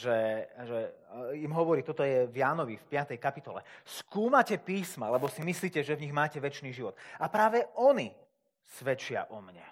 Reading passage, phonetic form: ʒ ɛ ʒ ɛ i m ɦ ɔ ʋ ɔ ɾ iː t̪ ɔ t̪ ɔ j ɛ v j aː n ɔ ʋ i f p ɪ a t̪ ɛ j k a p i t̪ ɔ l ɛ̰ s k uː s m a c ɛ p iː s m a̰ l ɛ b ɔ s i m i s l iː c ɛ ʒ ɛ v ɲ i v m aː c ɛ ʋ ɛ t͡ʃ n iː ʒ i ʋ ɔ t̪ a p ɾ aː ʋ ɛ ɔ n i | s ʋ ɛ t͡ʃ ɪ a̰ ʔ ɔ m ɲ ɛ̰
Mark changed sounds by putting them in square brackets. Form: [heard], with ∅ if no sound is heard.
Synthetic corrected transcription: ʒ ɛ ʒ ɛ i m ɦ ɔ ʋ ɔ ɾ iː t̪ ɔ t̪ ɔ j ɛ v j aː n ɔ ʋ i f p ɪ a t̪ ɛ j k a p i t̪ ɔ l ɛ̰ s k uː [∅] m a c ɛ p iː s m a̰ l ɛ b ɔ s i m i s l iː c ɛ ʒ ɛ v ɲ i [ɣ] m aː c ɛ ʋ ɛ t͡ʃ n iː ʒ i ʋ ɔ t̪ a p ɾ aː ʋ ɛ ɔ n i | s ʋ ɛ t͡ʃ ɪ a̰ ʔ ɔ m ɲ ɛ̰